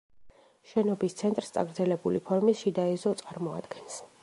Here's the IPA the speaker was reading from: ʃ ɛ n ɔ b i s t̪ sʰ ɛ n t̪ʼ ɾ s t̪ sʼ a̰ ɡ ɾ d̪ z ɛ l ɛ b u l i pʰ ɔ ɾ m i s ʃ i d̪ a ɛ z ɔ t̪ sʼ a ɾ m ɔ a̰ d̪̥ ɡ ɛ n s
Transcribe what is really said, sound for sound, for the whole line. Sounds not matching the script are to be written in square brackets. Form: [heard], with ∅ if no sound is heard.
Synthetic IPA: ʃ ɛ n ɔ b i s t̪ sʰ ɛ n t̪ʼ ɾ s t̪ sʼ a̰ ɡ ɾ d̪ z ɛ l ɛ b u l i pʰ ɔ ɾ m i s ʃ i d̪ a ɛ z ɔ t̪ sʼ a ɾ m ɔ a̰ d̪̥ ɡ ɛ n s